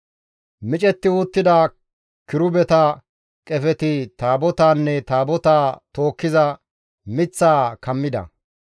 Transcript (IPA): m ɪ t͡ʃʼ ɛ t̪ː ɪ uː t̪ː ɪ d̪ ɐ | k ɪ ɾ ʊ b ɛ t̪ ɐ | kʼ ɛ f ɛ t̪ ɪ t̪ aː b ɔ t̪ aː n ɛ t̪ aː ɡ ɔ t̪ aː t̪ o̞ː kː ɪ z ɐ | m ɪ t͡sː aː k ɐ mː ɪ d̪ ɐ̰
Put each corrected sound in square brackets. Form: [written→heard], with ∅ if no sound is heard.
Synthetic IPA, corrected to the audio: m ɪ t͡ʃʼ ɛ t̪ː ɪ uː t̪ː ɪ d̪ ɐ | k ɪ ɾ ʊ b ɛ t̪ ɐ | kʼ ɛ f ɛ t̪ ɪ t̪ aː b ɔ t̪ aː [n→nː] ɛ t̪ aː [ɡ→b] ɔ t̪ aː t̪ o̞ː kː ɪ z ɐ | m ɪ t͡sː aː k ɐ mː ɪ d̪ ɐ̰